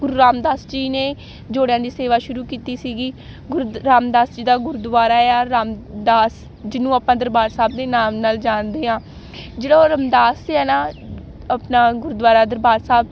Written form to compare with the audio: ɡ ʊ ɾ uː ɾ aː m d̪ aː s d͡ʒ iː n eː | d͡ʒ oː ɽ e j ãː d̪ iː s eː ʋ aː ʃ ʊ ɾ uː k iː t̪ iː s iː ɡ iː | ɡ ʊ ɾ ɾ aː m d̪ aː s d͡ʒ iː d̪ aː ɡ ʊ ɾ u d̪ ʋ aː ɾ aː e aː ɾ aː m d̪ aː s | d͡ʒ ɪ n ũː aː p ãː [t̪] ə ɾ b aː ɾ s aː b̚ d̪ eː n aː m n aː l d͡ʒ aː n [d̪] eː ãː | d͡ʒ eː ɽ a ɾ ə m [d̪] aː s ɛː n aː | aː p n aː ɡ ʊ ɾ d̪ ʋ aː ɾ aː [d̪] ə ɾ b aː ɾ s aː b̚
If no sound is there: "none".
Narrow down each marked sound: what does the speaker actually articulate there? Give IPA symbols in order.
d̪, d̪, d̪, d̪

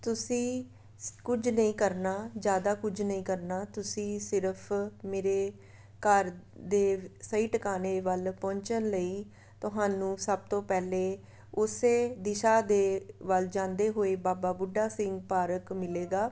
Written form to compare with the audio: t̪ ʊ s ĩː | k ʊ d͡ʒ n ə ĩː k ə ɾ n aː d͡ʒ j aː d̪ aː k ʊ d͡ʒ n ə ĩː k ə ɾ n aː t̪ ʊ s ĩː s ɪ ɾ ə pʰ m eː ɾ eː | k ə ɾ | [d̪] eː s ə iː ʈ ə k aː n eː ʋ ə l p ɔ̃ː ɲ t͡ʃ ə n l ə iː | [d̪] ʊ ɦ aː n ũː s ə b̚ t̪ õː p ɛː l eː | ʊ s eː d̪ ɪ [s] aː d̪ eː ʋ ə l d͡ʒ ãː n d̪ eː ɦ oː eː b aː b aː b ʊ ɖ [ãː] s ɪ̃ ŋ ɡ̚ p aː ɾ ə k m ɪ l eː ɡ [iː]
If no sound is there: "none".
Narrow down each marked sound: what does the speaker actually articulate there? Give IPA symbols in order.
d̪, t̪, ʃ, aː, aː

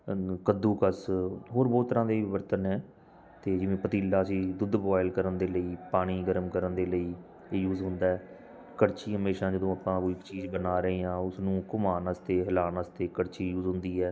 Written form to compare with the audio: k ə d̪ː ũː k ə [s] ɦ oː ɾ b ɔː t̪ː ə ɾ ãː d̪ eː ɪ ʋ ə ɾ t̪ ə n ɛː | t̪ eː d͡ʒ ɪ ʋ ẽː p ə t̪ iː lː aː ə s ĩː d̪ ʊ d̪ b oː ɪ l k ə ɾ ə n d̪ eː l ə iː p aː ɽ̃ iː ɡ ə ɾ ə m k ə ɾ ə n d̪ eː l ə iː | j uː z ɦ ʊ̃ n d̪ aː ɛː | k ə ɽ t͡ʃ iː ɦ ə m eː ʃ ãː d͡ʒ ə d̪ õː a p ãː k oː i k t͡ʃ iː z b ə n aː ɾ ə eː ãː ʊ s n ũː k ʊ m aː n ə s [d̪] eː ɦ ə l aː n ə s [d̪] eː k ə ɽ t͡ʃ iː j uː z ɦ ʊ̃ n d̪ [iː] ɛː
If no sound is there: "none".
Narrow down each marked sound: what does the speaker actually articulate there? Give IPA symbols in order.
s, t̪, t̪, iː

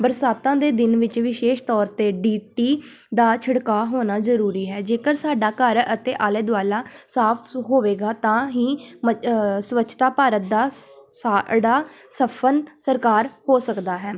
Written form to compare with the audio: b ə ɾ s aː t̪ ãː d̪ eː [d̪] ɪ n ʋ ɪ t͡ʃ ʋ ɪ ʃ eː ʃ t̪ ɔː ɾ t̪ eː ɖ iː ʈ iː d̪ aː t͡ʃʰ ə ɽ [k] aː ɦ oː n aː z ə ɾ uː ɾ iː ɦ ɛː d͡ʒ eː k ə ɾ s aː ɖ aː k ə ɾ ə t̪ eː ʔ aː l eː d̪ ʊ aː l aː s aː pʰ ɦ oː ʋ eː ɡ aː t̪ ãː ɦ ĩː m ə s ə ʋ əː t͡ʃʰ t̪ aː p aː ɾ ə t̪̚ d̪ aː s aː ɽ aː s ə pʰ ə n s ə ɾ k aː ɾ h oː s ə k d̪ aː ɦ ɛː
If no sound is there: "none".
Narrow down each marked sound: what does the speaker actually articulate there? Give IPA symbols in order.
d̪, k

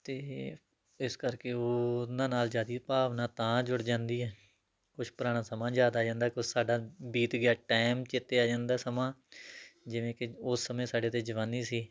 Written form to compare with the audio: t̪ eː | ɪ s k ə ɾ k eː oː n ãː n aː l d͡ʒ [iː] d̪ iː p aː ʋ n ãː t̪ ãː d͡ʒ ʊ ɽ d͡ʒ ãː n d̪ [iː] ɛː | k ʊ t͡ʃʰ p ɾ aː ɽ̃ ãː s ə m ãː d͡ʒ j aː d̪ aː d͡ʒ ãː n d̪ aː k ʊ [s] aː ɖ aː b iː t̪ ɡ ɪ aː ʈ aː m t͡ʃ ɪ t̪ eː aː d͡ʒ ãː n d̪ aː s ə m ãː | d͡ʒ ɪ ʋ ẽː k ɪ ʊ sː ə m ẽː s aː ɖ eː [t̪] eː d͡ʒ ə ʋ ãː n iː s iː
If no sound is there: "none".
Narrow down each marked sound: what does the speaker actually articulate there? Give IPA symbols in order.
aː, iː, s, t̪

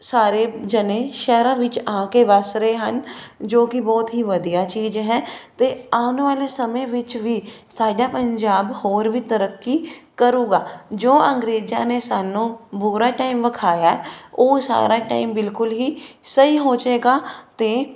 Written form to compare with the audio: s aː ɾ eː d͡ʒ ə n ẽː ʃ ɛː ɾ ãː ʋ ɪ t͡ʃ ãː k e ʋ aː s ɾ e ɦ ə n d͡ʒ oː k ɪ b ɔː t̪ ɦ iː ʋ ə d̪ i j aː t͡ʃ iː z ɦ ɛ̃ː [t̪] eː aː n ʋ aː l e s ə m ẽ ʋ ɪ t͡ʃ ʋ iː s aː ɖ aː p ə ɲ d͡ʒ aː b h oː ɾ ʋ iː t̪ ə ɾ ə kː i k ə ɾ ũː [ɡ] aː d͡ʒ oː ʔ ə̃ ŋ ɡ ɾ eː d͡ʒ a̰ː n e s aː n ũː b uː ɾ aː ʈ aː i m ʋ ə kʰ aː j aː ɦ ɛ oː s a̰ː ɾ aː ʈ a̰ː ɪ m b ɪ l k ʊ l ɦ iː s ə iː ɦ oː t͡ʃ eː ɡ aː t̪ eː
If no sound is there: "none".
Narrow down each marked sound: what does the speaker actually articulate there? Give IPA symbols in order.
t̪, ɡ

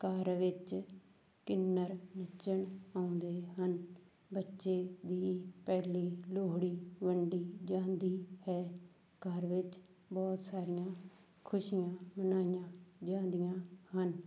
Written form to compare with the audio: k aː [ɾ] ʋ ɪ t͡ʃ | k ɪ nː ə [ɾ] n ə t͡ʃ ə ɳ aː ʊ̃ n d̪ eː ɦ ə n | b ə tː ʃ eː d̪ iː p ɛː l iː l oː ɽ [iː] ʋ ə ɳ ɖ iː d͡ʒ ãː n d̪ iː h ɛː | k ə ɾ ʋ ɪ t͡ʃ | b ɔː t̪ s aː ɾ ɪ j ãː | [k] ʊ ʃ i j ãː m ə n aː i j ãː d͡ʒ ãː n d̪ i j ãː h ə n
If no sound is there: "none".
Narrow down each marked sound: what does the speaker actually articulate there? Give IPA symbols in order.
ɾ, ɾ, iː, kʰ

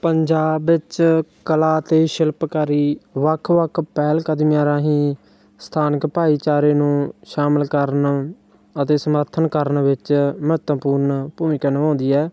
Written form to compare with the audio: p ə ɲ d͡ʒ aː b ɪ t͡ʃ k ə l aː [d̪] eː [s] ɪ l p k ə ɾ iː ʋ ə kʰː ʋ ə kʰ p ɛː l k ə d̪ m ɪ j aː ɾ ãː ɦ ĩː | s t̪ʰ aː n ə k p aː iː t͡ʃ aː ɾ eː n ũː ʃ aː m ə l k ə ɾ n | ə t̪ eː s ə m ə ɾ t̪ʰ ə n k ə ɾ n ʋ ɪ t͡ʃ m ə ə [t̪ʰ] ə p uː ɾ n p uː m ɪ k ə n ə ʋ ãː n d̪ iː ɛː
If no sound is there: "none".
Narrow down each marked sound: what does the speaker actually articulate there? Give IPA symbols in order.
t̪, ʃ, t̪

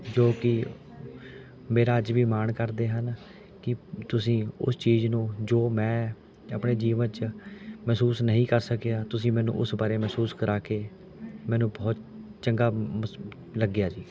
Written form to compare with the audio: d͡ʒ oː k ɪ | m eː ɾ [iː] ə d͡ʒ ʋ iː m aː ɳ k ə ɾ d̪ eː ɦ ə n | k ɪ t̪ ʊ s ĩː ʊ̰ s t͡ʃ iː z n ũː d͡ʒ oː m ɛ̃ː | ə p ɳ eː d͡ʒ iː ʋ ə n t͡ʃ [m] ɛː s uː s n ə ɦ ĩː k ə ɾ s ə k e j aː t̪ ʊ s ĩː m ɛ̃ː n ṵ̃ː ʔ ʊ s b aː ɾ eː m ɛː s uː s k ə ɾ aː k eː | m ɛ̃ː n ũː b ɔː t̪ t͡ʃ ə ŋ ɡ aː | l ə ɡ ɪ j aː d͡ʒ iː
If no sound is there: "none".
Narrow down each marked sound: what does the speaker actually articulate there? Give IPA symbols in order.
aː, m

